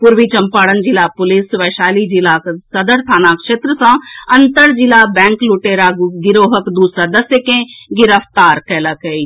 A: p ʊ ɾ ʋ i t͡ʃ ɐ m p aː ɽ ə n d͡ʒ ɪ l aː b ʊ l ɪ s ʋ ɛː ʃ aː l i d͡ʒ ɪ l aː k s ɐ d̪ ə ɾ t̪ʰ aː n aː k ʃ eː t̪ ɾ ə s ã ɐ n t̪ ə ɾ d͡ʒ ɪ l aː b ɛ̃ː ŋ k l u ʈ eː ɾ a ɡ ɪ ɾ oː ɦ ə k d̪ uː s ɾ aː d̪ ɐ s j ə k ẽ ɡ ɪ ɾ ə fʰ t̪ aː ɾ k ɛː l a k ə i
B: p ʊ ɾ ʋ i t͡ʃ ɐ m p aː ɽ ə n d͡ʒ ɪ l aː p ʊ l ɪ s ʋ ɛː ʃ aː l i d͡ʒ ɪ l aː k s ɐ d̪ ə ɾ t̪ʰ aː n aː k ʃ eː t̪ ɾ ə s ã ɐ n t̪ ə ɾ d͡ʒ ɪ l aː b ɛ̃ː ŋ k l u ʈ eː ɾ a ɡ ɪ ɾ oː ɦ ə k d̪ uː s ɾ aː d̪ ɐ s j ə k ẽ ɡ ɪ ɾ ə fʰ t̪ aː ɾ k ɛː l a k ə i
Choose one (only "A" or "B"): B